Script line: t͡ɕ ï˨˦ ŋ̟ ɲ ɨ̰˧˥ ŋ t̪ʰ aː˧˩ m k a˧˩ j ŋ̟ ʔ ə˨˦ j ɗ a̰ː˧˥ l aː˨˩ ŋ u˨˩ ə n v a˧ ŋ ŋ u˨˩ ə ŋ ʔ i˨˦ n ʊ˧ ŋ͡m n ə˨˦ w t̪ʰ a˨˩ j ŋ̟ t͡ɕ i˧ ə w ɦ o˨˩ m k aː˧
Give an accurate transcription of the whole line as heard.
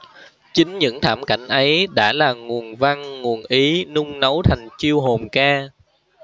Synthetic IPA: t͡ɕ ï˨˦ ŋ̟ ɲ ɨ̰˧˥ ŋ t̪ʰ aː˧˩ m k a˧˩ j ŋ̟ ʔ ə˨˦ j ɗ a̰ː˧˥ l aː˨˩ ŋ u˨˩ ə n v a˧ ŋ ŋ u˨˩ ə n ʔ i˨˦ n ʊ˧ ŋ͡m n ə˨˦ w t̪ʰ a˨˩ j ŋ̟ t͡ɕ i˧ ə w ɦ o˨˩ m k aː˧